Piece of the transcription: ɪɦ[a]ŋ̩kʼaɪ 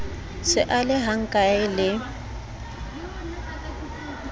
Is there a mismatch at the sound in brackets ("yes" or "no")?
no